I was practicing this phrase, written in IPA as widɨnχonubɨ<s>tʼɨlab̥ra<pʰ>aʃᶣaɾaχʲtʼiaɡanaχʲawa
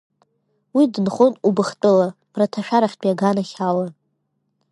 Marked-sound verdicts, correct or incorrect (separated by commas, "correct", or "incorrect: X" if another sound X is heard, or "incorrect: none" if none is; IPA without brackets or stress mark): incorrect: χ, incorrect: tʰ